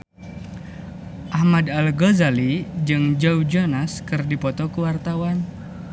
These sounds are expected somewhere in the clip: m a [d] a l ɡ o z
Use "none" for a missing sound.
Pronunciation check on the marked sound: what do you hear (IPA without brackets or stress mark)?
d